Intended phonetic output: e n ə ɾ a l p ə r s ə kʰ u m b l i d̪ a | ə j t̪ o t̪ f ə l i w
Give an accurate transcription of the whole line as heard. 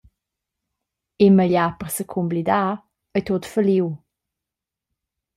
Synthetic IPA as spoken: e m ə ʎ a p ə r s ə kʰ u m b l i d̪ a | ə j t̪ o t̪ f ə l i w